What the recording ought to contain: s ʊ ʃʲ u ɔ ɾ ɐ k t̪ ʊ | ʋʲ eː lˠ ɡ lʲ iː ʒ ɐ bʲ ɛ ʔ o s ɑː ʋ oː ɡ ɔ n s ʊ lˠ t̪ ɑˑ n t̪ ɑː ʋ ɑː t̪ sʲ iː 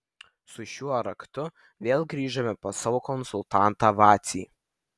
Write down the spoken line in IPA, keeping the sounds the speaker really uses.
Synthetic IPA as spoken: s ʊ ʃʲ u ɔ ɾ ɐ k t̪ ʊ | ʋʲ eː lˠ ɡ ɾʲ iː ʒ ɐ mʲ ɛ p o s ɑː ʋ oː k ɔ n s ʊ lˠ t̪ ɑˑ n t̪ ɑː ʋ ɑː t̪ sʲ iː